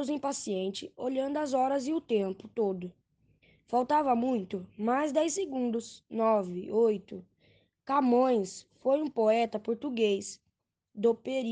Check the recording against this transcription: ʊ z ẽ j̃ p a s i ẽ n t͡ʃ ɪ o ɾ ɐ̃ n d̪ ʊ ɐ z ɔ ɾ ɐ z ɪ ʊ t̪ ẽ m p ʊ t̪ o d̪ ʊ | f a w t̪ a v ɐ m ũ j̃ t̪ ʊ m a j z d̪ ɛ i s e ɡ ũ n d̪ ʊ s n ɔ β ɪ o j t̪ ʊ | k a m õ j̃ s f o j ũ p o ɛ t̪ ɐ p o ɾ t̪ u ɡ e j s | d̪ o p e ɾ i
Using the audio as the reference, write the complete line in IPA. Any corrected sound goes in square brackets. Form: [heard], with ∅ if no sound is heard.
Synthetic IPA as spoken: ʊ z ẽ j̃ p a s i ẽ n t͡ʃ ɪ o [ʎ] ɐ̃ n d̪ ʊ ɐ z ɔ ɾ ɐ z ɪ ʊ t̪ ẽ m p ʊ t̪ o d̪ ʊ | f a w t̪ a v ɐ m ũ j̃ t̪ ʊ m a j z d̪ ɛ [j] s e ɡ ũ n d̪ ʊ s n ɔ [v] ɪ o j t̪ ʊ | k a m õ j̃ s f o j ũ p o ɛ t̪ ɐ p o ɾ t̪ u ɡ e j s | d̪ o p e ɾ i